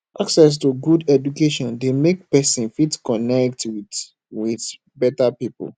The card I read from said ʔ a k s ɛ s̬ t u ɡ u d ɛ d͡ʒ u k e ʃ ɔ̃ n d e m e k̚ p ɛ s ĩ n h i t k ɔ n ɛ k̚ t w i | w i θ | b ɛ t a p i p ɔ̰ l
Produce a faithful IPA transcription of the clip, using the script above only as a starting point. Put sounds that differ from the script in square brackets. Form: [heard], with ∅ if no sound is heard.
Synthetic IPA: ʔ a k s ɛ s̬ t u ɡ u d ɛ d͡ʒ u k e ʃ ɔ̃ n d e m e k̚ p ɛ s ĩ n [f] i t k ɔ n ɛ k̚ t w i | w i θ | b ɛ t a p i p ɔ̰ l